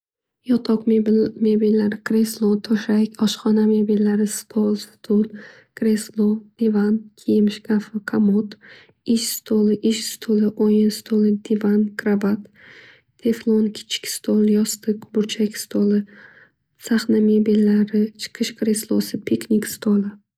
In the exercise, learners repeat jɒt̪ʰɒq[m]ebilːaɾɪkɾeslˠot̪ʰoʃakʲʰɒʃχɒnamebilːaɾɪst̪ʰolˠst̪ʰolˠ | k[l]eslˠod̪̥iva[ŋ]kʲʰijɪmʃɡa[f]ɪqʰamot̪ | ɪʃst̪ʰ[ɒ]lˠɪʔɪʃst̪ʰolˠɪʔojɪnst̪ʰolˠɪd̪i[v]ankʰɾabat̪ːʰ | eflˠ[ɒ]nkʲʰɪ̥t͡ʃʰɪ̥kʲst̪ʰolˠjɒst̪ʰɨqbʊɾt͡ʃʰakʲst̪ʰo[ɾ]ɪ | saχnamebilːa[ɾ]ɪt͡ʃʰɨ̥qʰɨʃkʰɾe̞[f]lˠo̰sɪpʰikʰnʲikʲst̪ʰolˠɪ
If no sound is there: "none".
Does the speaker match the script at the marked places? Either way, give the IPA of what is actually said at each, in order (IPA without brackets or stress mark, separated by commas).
m, ɾ, n, f, o, v, o, l, ɾ, s